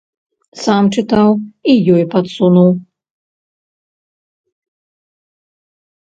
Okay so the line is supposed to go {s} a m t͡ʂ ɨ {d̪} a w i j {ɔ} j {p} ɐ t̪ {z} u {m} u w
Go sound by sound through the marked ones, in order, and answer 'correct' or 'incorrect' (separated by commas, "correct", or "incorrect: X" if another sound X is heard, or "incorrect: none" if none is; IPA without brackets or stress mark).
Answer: correct, incorrect: t̪, correct, correct, incorrect: s, incorrect: n